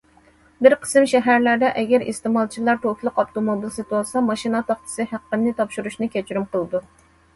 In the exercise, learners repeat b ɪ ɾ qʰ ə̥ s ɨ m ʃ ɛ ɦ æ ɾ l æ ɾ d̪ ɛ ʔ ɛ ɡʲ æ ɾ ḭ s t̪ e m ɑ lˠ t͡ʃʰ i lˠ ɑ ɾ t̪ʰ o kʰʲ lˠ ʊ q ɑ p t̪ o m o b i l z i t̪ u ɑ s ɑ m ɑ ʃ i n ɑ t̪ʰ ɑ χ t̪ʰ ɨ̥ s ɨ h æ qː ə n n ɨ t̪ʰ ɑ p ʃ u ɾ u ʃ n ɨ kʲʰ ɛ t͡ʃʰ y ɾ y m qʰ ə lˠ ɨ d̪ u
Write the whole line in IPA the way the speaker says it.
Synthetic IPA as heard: b ɪ ɾ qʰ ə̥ s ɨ m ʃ ɛ ɦ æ ɾ l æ ɾ d̪ ɛ ʔ ɛ ɡʲ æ ɾ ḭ s t̪ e m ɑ lˠ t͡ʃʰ i lˠ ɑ ɾ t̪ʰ o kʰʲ lˠ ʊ q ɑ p t̪ o m o b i l s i t̪ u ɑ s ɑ m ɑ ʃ i n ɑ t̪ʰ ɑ χ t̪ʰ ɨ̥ s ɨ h æ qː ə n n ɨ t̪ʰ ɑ p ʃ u ɾ u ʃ n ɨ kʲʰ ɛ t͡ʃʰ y ɾ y m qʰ ə lˠ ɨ d̪ u